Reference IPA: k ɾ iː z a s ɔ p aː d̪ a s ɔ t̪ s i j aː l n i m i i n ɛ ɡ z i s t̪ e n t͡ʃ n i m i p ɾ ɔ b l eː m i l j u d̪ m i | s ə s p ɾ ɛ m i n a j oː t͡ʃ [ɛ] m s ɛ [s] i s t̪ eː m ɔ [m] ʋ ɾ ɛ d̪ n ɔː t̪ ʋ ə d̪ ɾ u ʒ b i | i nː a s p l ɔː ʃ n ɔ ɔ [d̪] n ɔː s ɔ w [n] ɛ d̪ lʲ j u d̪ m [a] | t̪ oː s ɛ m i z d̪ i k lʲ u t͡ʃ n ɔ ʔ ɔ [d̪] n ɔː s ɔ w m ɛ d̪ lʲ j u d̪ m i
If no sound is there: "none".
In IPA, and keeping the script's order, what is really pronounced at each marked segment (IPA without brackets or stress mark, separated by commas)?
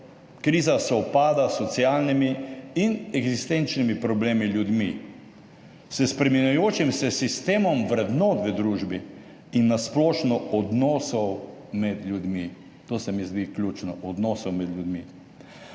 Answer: i, s, m, d̪, m, i, d̪